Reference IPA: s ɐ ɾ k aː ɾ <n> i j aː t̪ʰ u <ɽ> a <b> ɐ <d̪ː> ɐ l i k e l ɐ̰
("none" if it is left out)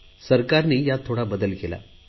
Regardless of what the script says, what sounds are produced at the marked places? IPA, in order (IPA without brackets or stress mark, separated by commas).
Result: n, ɽ, b, d̪